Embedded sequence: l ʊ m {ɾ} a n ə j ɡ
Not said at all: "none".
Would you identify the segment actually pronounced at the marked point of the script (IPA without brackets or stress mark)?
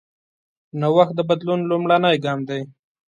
ɽ